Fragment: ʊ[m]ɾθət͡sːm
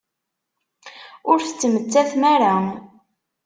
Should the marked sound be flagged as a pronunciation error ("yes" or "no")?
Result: yes